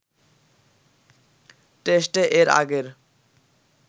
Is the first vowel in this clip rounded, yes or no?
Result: no